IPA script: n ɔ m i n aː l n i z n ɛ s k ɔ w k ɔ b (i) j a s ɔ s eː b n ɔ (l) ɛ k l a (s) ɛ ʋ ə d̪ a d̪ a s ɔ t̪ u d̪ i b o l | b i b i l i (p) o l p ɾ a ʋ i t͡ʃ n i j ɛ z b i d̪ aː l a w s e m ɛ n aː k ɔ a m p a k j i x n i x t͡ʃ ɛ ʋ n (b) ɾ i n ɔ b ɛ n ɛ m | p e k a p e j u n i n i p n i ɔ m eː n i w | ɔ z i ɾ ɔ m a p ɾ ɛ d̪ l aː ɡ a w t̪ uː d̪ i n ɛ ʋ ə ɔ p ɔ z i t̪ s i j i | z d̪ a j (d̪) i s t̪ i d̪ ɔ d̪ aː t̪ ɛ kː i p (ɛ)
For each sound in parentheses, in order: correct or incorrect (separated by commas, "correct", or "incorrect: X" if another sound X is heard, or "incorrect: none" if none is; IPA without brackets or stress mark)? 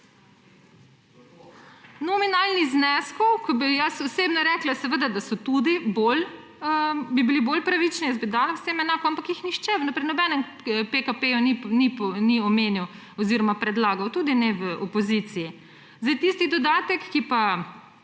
correct, incorrect: ɾ, correct, incorrect: b, incorrect: p, incorrect: t̪, incorrect: a